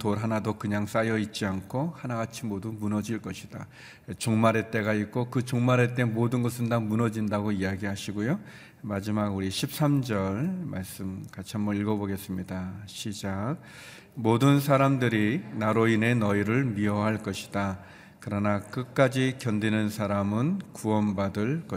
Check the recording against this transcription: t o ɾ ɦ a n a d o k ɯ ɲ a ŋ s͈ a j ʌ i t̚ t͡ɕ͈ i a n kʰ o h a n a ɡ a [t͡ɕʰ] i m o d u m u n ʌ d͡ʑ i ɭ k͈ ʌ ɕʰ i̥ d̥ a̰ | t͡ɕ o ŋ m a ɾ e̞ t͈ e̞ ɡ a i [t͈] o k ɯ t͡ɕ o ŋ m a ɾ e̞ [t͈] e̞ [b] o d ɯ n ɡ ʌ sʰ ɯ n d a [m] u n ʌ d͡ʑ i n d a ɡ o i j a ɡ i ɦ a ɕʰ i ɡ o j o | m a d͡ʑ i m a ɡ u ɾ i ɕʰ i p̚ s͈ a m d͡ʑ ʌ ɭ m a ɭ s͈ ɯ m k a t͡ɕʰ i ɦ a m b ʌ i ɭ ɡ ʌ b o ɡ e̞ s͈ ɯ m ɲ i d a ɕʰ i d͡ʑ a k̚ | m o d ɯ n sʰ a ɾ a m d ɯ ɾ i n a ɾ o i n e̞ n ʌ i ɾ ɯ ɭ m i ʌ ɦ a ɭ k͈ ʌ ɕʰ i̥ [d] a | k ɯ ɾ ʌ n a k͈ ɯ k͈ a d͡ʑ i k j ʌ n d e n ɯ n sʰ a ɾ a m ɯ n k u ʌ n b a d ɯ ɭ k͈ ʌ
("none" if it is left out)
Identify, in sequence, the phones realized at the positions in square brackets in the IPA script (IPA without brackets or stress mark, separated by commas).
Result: t͡ɕʰ, k͈, t͈, m, m, d